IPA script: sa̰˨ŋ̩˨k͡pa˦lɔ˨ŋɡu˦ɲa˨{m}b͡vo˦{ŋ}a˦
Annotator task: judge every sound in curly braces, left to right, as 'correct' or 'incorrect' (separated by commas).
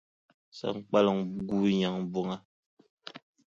incorrect, correct